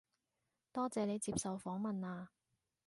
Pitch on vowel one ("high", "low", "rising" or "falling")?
high